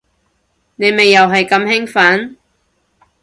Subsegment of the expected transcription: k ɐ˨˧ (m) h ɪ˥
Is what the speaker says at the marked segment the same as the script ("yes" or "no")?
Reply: yes